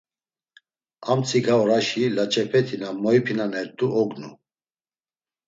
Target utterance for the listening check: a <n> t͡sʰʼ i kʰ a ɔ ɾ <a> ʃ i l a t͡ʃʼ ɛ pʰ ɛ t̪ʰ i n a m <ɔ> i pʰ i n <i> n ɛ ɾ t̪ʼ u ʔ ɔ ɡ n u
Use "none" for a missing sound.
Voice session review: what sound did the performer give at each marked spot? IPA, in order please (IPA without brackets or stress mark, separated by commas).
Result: m, a, ɔ, a